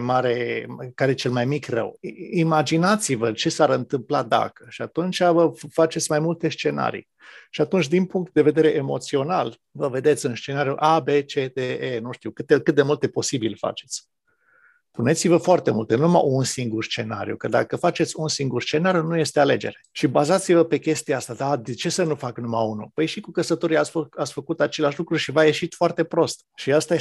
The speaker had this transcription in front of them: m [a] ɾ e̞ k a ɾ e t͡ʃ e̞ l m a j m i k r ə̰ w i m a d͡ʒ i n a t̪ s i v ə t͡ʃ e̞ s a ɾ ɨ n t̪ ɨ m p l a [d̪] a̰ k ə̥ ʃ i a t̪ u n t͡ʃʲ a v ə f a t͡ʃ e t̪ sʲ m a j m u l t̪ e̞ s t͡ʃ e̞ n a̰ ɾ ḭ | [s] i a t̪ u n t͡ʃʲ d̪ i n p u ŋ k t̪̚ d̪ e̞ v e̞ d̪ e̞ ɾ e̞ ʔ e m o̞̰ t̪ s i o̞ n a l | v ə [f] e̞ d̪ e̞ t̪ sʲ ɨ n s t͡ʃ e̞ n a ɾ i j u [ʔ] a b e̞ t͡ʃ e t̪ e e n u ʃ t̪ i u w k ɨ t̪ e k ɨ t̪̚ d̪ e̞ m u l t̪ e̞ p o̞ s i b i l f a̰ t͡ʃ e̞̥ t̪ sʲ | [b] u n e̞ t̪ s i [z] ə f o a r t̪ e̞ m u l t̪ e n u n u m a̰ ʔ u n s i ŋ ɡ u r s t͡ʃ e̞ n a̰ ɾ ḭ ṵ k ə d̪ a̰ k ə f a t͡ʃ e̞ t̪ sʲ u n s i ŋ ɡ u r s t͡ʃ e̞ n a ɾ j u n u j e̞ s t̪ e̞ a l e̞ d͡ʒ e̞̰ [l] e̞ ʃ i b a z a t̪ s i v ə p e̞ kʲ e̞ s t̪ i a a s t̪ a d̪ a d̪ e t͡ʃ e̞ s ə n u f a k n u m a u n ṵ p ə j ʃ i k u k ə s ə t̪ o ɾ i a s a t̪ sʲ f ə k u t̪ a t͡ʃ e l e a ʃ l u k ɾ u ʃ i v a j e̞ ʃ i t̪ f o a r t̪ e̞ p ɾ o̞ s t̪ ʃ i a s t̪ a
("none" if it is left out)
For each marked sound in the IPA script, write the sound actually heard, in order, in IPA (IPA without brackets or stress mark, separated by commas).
a, d̪, ʃ, v, ʔ, p, v, ɾ